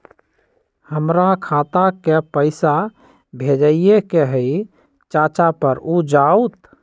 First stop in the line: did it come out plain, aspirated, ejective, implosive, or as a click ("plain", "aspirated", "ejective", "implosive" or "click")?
aspirated